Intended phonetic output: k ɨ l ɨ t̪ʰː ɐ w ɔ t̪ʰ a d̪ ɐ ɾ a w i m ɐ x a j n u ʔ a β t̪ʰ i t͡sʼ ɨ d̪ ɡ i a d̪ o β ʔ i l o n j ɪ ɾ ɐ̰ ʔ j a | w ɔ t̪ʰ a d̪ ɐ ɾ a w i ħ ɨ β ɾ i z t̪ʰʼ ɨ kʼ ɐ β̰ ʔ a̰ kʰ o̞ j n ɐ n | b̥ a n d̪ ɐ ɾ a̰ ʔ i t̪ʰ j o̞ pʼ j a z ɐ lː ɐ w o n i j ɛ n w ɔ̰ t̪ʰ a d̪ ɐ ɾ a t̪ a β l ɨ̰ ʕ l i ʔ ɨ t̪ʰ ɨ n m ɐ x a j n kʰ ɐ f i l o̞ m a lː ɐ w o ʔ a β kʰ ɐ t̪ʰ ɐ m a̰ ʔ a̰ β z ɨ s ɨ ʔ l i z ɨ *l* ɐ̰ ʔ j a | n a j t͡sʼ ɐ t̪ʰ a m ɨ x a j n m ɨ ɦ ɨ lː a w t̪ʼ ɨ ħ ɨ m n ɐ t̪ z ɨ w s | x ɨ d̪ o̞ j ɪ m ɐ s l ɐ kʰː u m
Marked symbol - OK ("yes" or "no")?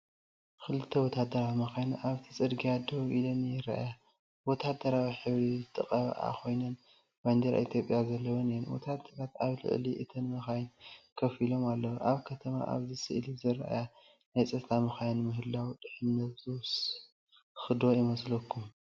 no